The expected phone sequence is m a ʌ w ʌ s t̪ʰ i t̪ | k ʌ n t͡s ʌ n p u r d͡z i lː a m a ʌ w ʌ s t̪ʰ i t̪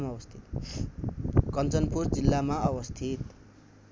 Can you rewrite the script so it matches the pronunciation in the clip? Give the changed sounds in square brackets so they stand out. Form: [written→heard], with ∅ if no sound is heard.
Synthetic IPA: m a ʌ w ʌ s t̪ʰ i t̪ | k ʌ n t͡s ʌ n p u r d͡z i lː a m a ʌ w ʌ s t̪ʰ i t̪